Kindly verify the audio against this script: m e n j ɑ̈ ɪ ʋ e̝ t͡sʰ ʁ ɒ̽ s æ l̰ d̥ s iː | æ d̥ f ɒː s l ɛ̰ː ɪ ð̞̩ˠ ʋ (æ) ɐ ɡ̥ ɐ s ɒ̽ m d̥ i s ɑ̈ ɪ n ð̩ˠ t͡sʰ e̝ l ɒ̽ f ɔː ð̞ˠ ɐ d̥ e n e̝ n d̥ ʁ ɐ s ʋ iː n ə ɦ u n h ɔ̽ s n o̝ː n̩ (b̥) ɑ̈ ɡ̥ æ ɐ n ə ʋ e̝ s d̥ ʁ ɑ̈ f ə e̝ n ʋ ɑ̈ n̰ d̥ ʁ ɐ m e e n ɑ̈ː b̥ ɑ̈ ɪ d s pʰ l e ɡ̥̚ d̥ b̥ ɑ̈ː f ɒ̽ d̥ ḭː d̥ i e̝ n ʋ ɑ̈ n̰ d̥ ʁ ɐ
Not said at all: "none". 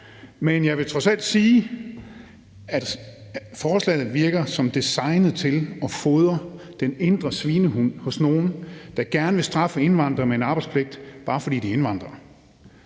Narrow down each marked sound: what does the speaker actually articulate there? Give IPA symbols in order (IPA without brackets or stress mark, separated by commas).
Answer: i, d̥